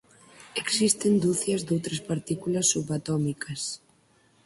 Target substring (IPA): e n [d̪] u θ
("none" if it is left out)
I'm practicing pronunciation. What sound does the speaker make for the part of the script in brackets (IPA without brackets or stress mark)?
d̪